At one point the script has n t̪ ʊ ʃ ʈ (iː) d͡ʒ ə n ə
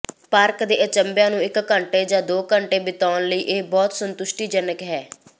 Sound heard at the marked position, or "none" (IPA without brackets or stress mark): iː